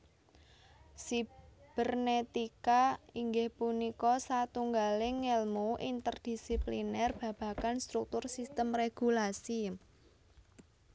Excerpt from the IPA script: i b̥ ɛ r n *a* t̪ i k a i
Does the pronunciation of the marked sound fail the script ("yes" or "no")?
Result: yes